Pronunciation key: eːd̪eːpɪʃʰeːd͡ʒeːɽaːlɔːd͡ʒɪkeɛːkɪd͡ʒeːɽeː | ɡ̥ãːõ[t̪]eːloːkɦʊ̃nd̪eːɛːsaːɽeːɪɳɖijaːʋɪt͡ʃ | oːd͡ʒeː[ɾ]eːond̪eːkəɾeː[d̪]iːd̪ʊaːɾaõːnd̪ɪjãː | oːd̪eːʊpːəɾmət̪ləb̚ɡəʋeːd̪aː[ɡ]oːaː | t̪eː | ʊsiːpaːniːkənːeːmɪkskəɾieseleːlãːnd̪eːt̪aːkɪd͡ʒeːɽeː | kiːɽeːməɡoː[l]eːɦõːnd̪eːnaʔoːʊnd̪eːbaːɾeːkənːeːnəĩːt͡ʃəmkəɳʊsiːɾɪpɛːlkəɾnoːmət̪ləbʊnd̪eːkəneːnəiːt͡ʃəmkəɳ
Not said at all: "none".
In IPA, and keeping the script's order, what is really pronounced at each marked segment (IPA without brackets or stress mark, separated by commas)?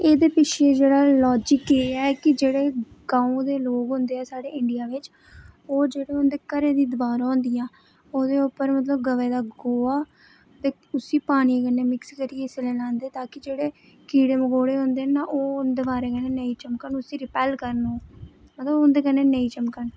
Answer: d̪, ɽ, d̪, ɡ, ɽ